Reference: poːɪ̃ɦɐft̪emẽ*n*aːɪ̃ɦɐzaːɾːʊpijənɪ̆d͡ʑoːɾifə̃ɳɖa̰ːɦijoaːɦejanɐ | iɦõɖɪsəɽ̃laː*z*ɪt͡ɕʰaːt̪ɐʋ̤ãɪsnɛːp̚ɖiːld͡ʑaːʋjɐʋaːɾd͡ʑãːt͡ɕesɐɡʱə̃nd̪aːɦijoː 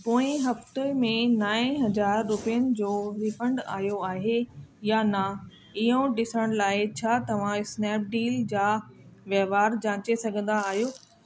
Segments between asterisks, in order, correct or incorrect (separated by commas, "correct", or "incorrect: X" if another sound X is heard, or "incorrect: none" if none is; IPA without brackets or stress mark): correct, incorrect: none